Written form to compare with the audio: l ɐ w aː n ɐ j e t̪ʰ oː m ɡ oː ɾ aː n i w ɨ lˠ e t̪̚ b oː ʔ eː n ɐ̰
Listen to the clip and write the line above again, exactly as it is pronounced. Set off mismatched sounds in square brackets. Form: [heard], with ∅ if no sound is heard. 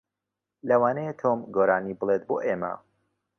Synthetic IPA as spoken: l ɐ w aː n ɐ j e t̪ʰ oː m ɡ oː ɾ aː n i [b] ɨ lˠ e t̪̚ b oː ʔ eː [m] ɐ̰